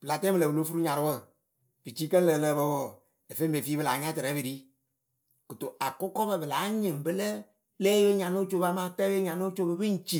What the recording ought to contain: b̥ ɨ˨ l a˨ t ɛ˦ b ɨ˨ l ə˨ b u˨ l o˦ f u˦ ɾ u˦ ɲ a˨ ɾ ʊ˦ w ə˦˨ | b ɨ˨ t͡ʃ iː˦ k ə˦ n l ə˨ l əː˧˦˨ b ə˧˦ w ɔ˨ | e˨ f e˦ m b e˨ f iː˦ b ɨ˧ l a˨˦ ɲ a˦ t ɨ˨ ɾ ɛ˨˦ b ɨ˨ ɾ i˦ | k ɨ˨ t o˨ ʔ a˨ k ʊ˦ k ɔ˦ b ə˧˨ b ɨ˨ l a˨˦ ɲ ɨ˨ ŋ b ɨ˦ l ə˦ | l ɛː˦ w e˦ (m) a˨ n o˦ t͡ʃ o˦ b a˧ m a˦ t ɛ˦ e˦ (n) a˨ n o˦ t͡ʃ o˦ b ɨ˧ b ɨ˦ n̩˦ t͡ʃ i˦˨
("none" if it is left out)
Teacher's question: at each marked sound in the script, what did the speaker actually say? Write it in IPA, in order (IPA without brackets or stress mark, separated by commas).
ɲ, ɲ